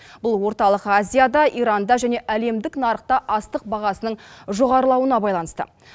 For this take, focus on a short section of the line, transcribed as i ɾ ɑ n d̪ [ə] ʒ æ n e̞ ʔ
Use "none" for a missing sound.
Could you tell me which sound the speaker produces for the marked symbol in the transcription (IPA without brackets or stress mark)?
ɑ